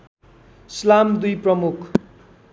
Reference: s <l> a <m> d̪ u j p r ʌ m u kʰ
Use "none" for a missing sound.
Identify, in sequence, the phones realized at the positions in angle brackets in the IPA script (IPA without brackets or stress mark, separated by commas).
l, m